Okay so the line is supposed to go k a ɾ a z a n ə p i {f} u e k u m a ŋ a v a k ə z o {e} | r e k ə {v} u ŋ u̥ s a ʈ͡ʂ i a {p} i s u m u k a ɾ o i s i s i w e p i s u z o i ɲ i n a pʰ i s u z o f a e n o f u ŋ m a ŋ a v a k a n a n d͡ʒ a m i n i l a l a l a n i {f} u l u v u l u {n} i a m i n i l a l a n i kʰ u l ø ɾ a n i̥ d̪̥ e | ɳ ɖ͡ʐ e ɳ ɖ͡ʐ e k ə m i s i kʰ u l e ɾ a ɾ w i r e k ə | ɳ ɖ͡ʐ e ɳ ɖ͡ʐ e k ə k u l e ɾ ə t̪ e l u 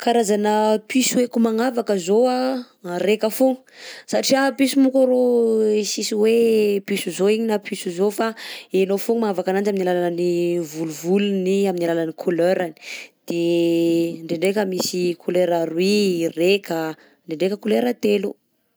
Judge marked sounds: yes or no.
no, no, no, yes, no, yes

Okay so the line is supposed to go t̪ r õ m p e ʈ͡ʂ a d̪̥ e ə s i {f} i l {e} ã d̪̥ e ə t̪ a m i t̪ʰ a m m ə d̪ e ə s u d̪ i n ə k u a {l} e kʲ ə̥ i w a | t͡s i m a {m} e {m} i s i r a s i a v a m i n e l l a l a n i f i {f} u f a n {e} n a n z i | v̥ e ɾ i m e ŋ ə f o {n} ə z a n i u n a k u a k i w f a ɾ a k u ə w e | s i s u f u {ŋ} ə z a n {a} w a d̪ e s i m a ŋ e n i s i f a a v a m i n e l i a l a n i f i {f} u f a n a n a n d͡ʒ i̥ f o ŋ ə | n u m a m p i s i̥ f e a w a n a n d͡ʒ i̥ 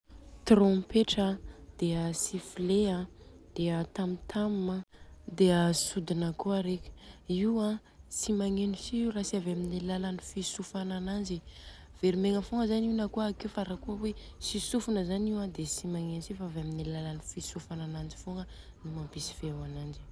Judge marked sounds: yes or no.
yes, yes, no, no, no, no, no, no, no, no, no

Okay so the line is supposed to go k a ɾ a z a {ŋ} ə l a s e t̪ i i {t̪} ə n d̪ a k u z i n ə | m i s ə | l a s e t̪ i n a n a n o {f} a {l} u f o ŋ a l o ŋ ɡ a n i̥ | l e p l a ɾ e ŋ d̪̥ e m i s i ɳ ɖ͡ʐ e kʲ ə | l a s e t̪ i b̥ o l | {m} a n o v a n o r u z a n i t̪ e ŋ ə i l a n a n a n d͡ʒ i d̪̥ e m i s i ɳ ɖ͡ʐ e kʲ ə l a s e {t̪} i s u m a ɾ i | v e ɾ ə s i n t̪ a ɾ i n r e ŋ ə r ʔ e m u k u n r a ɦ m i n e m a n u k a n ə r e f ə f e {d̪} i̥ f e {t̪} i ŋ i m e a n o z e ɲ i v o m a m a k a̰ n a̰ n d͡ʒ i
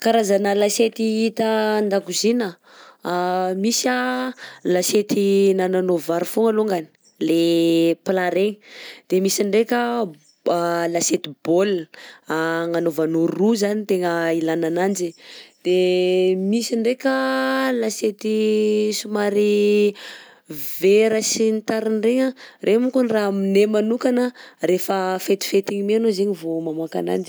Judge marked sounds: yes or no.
no, yes, no, no, no, yes, no, yes

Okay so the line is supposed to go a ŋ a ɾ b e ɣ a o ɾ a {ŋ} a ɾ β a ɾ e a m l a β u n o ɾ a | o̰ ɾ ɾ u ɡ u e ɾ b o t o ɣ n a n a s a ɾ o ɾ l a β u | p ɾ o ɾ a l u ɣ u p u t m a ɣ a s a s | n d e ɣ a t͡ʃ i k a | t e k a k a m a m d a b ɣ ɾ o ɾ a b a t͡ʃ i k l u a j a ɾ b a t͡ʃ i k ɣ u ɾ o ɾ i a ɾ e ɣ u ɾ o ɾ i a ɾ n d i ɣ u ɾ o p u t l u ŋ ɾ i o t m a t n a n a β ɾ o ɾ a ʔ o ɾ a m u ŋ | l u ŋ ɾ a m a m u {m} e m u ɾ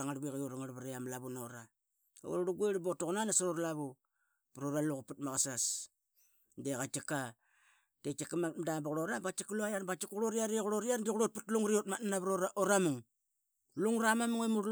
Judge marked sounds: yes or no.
yes, no

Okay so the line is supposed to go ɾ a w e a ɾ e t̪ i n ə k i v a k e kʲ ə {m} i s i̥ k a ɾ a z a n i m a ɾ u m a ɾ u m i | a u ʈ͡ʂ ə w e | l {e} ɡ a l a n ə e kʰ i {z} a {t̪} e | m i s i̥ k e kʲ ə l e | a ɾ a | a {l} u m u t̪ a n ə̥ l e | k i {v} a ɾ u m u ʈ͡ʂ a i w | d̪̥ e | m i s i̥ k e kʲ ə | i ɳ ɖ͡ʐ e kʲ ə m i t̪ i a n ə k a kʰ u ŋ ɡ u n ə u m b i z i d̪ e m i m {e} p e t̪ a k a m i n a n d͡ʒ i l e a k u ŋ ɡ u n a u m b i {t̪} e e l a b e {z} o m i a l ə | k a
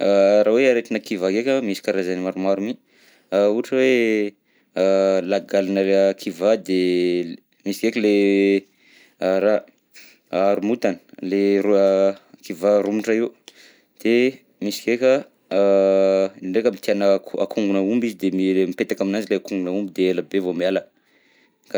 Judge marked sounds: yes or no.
yes, no, no, no, no, yes, no, no, no

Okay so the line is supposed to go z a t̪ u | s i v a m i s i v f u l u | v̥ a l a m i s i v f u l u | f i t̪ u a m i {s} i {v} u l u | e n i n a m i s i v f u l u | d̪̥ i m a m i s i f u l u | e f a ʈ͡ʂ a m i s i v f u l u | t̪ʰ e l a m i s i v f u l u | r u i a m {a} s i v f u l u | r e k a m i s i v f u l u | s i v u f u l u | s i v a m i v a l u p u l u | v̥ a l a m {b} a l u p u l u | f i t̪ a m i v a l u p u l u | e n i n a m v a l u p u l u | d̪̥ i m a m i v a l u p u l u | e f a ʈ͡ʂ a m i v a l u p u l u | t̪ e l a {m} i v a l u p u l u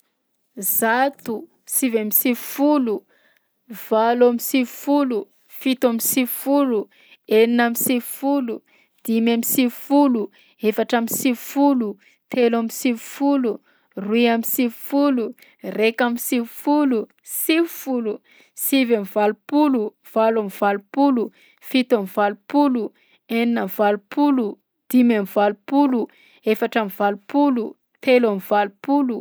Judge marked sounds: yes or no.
yes, no, no, no, yes

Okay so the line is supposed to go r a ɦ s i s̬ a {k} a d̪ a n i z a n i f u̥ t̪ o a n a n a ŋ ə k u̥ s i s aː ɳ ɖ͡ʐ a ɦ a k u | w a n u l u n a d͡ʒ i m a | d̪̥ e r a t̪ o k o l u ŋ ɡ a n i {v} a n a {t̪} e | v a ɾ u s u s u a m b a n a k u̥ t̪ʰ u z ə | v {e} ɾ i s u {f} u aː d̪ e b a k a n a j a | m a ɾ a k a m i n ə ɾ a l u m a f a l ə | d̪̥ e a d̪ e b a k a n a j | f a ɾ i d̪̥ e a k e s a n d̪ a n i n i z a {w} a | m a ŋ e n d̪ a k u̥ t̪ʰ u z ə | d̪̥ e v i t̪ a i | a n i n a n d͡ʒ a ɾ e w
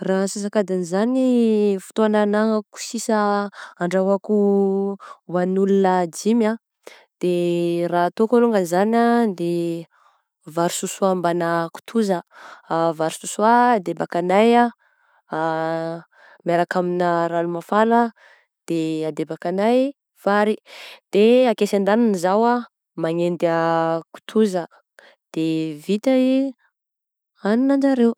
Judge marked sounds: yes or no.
yes, no, no, no, no, yes

